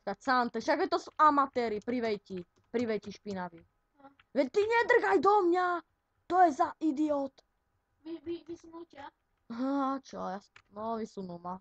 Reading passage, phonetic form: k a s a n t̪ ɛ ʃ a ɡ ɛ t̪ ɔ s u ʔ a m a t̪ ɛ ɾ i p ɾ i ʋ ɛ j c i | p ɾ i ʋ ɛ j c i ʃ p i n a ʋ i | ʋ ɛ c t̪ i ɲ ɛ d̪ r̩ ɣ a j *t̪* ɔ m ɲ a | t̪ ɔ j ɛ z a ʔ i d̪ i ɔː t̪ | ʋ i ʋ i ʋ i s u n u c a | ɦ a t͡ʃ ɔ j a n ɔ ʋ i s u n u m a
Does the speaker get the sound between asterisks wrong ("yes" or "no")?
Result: yes